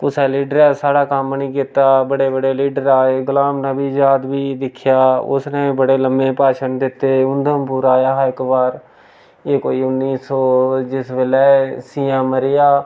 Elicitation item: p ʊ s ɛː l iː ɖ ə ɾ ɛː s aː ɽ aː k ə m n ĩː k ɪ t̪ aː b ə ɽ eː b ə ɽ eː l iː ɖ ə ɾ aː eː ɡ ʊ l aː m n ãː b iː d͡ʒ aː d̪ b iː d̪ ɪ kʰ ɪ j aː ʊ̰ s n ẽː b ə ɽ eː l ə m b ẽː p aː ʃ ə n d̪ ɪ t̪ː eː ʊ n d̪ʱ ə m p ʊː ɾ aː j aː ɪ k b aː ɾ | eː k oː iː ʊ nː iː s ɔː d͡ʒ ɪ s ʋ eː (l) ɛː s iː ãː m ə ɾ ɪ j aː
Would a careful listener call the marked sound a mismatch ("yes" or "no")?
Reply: no